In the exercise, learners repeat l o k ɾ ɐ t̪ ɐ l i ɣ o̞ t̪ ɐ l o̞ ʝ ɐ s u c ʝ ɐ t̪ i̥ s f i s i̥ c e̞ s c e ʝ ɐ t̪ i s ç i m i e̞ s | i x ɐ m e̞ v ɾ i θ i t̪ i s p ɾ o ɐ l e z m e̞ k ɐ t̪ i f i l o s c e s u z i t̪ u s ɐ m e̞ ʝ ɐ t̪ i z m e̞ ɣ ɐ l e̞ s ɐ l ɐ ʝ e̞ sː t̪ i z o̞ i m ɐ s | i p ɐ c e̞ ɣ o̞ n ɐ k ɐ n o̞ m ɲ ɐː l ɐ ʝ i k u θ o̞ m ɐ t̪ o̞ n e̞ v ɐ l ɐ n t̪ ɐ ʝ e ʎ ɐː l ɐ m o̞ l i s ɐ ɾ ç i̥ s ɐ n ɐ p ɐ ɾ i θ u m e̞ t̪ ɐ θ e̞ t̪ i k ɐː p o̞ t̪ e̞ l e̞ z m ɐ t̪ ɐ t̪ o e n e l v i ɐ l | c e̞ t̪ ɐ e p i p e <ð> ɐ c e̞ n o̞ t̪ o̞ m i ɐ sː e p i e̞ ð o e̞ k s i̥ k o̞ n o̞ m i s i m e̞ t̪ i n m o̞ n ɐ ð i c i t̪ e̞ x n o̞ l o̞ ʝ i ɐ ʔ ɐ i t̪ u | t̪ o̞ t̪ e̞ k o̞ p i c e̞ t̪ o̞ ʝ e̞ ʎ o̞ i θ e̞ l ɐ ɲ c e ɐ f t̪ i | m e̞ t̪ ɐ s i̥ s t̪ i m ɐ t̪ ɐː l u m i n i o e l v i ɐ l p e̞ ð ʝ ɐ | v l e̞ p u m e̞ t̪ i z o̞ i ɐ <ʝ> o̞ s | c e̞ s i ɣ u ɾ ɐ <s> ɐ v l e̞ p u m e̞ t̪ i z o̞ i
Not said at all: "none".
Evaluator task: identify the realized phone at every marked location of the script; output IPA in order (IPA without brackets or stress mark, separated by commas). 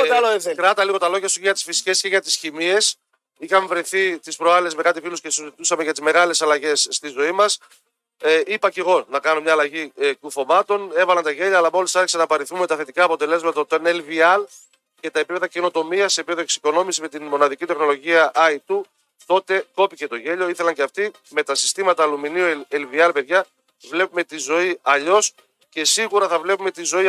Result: ð, ʎ, θ